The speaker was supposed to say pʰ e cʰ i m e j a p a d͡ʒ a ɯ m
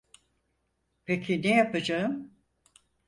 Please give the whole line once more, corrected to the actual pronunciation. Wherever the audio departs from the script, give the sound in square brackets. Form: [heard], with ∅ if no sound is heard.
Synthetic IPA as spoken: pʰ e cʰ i [n] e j a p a d͡ʒ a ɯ m